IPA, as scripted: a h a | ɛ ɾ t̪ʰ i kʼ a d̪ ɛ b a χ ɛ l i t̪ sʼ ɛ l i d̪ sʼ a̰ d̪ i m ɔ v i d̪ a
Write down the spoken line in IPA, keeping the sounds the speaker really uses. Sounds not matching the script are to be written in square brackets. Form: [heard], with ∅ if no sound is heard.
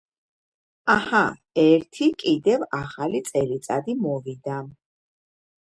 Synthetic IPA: a h a | ɛ ɾ t̪ʰ i kʼ [i] d̪ ɛ [v] a χ [a] l i t̪ sʼ ɛ l i [t̪] sʼ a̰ d̪ i m ɔ v i d̪ a